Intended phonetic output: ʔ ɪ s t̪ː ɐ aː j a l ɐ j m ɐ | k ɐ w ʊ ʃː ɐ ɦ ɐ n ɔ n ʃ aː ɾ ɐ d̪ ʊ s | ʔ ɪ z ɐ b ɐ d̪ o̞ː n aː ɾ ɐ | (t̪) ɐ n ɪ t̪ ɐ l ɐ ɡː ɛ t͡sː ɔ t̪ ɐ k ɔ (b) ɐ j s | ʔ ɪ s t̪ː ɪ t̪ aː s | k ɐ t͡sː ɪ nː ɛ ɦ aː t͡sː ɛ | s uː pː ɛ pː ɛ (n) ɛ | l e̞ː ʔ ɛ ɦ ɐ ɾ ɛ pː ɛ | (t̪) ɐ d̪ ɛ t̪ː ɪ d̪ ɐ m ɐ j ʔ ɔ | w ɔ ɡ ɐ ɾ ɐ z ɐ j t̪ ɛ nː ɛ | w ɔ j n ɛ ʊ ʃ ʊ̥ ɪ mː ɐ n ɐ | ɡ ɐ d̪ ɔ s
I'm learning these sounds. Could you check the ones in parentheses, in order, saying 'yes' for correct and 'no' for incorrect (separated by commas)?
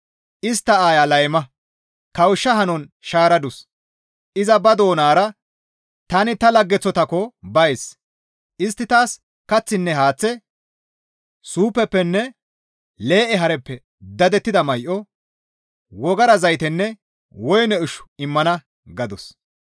yes, yes, no, no